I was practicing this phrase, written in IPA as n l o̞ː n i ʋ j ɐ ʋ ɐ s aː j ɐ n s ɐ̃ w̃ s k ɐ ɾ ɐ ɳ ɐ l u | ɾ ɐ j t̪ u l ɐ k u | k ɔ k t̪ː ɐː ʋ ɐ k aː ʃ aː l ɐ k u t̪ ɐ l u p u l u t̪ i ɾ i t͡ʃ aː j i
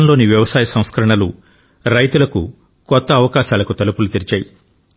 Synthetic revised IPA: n l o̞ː n i ʋ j ɐ ʋ ɐ s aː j ɐ s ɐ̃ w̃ s k ɐ ɾ ɐ ɳ ɐ l u | ɾ ɐ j t̪ u l ɐ k u | k ɔ t̪ː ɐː ʋ ɐ k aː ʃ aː l ɐ k u t̪ ɐ l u p u l u t̪ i ɾ i t͡ʃ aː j i

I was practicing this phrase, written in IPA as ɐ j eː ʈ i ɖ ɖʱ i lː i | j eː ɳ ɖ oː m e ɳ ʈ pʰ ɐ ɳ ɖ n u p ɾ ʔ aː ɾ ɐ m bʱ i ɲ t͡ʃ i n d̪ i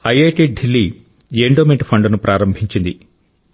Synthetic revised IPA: ɐ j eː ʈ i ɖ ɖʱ i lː i | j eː ɳ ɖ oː m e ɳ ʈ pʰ ɐ ɳ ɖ n u p ɾ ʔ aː ɾ ɐ m bʱ i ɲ t͡ʃ i n d̪ i

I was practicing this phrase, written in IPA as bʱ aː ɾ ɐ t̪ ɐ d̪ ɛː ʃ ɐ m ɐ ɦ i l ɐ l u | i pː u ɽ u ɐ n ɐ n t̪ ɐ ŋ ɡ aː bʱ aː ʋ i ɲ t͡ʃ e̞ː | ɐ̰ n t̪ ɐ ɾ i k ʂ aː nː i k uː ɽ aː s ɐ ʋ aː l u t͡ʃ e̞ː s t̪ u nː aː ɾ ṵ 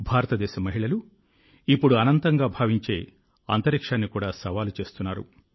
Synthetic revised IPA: bʱ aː ɾ ɐ t̪ ɐ d̪ ɛː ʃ ɐ m ɐ ɦ i ɭ ɐ l u | i pː u ɽ u ɐ n ɐ n t̪ ɐ ŋ ɡ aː bʱ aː ʋ i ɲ t͡ʃ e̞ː | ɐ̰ n t̪ ɐ ɾ i k ʂ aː nː i k uː ɽ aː s ɐ ʋ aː l u t͡ʃ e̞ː s t̪ u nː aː ɾ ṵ

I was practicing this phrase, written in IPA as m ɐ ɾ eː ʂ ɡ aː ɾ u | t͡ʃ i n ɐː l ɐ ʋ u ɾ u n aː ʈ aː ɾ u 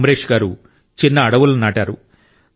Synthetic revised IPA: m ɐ ɾ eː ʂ ɡ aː ɾ u | t͡ʃ i nː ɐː ɽ ɐ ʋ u l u n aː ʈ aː ɾ u

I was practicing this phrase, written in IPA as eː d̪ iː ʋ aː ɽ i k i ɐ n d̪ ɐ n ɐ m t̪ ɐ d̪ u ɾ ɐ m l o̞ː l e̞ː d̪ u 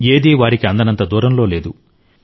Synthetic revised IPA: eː d̪ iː ʋ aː ɾ i k i ɐ n d̪ ɐ n ɐ n t̪ ɐ d̪ uː ɾ ɐ m l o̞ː l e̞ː d̪ u

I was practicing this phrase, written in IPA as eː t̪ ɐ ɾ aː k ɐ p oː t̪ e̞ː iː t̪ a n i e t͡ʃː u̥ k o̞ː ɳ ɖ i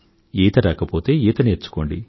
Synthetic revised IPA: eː t̪ ɐ ɾ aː k ɐ p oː t̪ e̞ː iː t̪ ɐ n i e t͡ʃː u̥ k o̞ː ɳ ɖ i

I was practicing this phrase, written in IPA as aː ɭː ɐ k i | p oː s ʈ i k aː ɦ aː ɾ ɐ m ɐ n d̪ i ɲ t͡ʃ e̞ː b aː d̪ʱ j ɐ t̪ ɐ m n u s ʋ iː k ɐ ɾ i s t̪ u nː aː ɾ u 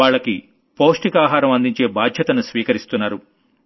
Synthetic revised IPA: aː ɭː ɐ k i | p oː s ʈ i k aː ɦ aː ɾ ɐ m ɐ n d̪ i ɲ t͡ʃ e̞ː b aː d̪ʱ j ɐ t̪ ɐ n u s ʋ iː k ɐ ɾ i s t̪ u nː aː ɾ u

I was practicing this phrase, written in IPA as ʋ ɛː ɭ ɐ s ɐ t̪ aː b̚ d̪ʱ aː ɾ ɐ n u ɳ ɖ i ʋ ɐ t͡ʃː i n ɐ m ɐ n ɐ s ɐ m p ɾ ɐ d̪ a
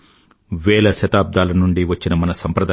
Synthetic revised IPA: ʋ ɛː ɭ ɐ ʃ ɐ t̪ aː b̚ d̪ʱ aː l ɐ n u ɳ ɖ i ʋ ɐ t͡ʃː i n ɐ m ɐ n ɐ s ɐ m p ɾ ɐ d̪ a

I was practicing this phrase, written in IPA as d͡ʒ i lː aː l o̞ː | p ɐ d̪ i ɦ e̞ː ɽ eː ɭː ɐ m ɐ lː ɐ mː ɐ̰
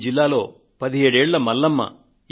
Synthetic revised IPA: d͡ʒ i lː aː l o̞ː | p ɐ d̪ i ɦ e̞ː ɽ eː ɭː ɐ m ɐ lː ɐ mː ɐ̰

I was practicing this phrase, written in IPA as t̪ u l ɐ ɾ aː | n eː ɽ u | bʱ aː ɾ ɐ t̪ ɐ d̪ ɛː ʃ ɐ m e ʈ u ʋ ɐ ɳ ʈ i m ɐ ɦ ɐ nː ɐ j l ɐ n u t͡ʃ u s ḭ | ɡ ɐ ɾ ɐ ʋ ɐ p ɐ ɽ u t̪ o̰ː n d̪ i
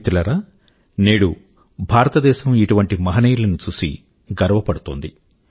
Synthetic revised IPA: t̪ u l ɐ ɾ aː | n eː ɽ u | bʱ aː ɾ ɐ t̪ ɐ d̪ ɛː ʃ ɐ m i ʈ u ʋ ɐ ɳ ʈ i m ɐ ɦ ɐ n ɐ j l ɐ n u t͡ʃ u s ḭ | ɡ ɐ ɾ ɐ ʋ ɐ p ɐ ɽ u t̪ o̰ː n d̪ i

